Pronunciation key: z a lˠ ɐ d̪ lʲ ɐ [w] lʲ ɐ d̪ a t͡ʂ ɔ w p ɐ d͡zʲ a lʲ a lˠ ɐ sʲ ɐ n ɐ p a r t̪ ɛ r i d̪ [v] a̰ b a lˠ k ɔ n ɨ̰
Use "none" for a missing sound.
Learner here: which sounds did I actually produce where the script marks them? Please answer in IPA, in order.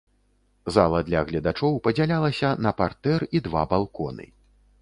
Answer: ɣ, v

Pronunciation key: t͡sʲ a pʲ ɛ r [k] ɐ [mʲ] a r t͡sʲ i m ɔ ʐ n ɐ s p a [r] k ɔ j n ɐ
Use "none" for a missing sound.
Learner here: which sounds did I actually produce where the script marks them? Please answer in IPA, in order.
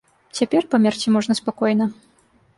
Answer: p, mʲ, none

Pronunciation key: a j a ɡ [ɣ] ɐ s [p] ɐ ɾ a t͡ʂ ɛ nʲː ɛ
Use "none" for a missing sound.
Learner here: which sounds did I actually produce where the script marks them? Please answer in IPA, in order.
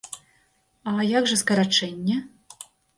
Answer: ʐ, k

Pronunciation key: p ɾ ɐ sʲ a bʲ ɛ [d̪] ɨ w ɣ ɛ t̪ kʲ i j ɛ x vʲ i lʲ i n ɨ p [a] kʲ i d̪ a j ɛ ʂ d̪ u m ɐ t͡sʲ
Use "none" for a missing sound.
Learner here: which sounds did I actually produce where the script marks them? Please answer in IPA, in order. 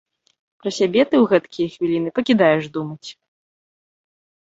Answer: t̪, ɐ

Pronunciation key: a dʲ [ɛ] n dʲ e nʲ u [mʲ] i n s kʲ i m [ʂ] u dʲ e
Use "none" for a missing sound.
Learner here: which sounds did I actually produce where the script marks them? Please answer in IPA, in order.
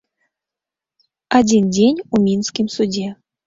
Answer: i, mʲ, s

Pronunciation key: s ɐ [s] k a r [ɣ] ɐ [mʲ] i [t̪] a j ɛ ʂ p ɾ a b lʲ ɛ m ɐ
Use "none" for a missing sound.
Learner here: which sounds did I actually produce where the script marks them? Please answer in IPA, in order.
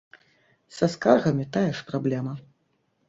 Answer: s, ɣ, mʲ, t̪

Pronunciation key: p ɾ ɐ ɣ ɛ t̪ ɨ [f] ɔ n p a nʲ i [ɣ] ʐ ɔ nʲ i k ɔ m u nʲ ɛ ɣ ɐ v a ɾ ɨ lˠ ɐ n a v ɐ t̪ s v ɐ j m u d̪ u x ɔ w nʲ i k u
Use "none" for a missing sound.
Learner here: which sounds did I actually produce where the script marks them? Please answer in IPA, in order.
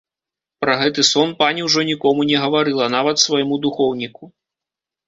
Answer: s, w

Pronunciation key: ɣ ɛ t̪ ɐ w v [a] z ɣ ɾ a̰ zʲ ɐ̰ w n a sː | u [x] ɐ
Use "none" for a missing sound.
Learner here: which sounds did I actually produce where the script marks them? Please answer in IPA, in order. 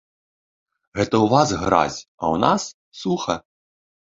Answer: a, x

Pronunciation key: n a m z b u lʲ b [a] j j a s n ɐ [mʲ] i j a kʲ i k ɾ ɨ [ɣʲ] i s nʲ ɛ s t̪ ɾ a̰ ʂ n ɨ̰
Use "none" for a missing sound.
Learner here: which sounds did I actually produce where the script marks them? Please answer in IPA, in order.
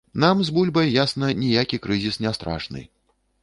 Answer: ɐ, nʲ, zʲ

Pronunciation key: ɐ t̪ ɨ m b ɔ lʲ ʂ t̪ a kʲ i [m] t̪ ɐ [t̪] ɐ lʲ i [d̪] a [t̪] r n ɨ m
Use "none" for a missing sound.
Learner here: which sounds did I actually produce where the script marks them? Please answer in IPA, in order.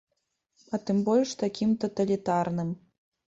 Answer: m, t̪, t̪, none

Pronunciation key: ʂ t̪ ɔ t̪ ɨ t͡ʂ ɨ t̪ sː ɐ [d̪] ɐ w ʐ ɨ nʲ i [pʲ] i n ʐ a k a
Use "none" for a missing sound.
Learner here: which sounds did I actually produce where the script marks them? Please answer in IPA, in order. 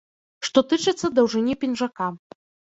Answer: d̪, pʲ

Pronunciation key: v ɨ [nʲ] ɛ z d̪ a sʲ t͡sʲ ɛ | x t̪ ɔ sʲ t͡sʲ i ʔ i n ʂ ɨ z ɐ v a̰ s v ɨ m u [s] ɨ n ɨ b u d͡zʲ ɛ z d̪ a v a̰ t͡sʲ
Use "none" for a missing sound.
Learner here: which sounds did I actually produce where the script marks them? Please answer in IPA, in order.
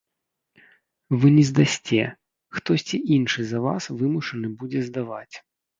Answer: nʲ, ʂ

